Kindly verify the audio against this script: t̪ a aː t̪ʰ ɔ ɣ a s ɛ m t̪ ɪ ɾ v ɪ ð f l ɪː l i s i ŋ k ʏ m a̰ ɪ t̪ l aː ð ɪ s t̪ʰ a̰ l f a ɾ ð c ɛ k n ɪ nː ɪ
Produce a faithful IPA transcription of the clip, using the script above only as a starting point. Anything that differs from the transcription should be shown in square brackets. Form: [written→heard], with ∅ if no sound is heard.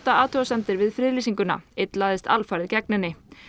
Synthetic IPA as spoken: t̪ a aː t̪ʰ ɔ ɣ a s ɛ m t̪ ɪ ɾ v ɪ ð f [l→ɾ] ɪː l i s i ŋ k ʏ [m→n] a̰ ɪ t̪ l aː ð ɪ s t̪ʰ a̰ l f a ɾ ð c ɛ k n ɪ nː ɪ